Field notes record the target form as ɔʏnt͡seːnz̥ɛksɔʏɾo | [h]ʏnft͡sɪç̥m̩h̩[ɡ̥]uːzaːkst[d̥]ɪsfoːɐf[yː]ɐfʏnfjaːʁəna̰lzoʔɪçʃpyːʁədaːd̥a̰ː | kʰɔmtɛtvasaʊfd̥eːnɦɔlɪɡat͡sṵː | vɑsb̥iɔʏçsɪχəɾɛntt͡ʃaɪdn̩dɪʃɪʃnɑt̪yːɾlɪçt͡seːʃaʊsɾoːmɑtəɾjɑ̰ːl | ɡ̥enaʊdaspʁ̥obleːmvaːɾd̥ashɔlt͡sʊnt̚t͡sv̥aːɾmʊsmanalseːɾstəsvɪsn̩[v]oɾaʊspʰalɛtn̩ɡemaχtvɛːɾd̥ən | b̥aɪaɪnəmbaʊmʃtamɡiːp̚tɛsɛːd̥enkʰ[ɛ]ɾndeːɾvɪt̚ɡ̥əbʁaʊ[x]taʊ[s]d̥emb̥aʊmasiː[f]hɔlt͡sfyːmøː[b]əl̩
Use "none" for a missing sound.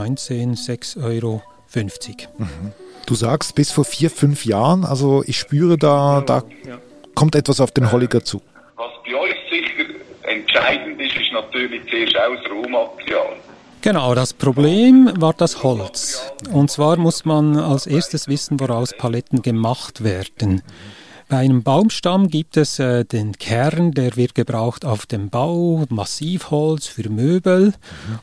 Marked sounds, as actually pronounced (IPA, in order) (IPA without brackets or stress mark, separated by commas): f, d̥, b̥, iː, v, ɛ, x, f, f, b